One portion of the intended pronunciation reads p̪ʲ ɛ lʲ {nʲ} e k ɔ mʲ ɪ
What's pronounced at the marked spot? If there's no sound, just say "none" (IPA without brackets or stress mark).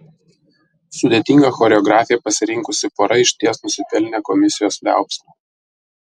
nʲ